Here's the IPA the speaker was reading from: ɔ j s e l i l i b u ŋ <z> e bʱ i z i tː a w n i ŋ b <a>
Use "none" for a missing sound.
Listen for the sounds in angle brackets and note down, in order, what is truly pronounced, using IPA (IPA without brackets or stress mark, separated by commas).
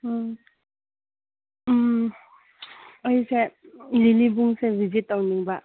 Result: s, a